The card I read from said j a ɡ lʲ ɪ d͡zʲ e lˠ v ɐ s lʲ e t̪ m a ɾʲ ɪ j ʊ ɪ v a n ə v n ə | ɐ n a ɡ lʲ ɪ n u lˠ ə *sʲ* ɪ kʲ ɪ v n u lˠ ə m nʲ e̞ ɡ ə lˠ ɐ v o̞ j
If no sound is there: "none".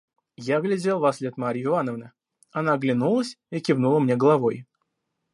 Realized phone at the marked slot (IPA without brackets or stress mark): sʲ